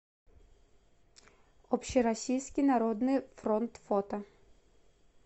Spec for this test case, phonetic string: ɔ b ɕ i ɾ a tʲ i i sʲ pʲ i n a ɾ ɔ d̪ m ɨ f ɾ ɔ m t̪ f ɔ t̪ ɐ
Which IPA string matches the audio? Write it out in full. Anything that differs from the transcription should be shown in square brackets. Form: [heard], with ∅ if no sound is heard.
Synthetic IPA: ɔ [p] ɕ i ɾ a [sʲ] i [j] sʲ [kʲ] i n a ɾ ɔ d̪ [n] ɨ f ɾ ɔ [n] t̪ f ɔ t̪ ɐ